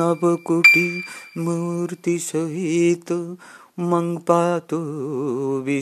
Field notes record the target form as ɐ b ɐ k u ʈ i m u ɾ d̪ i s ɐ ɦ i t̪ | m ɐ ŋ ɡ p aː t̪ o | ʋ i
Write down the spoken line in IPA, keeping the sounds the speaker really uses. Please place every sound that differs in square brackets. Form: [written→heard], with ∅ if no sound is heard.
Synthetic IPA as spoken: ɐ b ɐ k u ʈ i m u ɾ [d̪→t̪] i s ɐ ɦ i t̪ | m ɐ ŋ ɡ p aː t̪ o | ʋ i